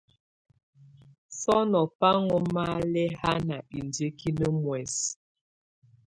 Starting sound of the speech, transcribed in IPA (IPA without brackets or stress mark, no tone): s